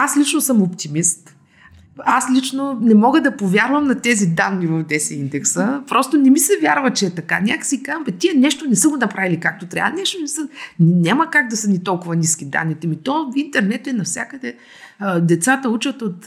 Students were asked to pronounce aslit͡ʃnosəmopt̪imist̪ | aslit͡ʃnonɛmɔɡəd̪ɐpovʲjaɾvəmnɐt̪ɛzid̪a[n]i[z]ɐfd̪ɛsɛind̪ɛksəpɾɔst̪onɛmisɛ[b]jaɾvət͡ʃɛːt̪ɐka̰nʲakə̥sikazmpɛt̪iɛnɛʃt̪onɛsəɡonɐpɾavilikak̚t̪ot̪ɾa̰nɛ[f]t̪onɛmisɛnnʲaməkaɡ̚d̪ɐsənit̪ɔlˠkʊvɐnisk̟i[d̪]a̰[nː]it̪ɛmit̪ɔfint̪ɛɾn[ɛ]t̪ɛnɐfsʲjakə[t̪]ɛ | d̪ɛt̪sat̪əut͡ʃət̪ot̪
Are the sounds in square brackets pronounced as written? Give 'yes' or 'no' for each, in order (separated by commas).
no, no, no, no, yes, yes, yes, no